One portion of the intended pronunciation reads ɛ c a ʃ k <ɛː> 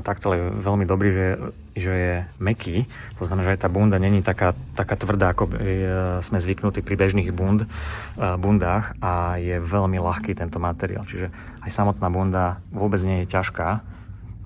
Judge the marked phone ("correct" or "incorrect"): incorrect